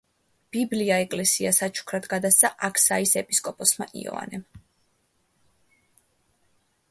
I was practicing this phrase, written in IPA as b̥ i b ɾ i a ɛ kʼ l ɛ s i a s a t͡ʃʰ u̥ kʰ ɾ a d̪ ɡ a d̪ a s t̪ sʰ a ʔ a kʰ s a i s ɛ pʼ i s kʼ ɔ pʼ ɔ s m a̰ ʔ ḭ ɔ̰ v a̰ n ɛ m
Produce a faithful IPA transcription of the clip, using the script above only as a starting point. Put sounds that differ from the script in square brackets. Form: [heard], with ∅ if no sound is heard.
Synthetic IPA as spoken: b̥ i b [l] i a ɛ kʼ l ɛ s i a s a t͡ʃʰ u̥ kʰ ɾ a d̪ ɡ a d̪ a s t̪ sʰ a ʔ a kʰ s a i s ɛ pʼ i s kʼ ɔ pʼ ɔ s m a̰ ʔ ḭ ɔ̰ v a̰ n ɛ m

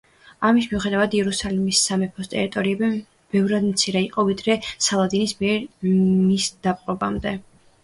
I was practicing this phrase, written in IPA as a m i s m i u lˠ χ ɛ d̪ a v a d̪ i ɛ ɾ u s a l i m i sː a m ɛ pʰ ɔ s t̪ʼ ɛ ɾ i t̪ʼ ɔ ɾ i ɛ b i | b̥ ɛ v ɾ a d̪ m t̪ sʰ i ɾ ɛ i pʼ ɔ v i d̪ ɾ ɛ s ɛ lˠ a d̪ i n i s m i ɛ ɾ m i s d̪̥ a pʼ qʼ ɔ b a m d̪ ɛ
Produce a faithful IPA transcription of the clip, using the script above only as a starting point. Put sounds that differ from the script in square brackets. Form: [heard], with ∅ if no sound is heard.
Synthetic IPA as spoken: a m i s m i u [∅] χ ɛ d̪ a v a d̪ i ɛ ɾ u s a l i m i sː a m ɛ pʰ ɔ s t̪ʼ ɛ ɾ i t̪ʼ ɔ ɾ i ɛ b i | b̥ ɛ v ɾ a d̪ m t̪ sʰ i ɾ ɛ i [qʼ] ɔ v i d̪ ɾ ɛ s [a] lˠ a d̪ i n i s m i ɛ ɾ m i s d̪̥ a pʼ qʼ ɔ b a m d̪ ɛ

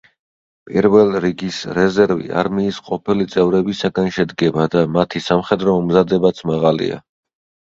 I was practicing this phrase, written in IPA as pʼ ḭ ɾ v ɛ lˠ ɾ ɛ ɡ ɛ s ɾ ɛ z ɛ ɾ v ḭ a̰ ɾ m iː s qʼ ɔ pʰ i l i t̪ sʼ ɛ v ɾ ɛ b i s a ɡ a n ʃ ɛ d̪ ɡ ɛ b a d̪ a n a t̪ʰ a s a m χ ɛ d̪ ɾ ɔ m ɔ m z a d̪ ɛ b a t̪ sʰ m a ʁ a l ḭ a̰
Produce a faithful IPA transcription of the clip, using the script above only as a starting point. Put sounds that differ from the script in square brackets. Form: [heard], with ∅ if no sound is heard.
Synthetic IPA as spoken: pʼ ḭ ɾ v ɛ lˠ ɾ [i] ɡ [i] s ɾ ɛ z ɛ ɾ v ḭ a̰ ɾ m iː s qʼ ɔ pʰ i l i t̪ sʼ ɛ v ɾ ɛ b i s a ɡ a n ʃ ɛ d̪ ɡ ɛ b a d̪ a [m] a t̪ʰ [i] s a m χ ɛ d̪ ɾ ɔ m ɔ m z a d̪ ɛ b a t̪ sʰ m a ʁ a l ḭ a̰

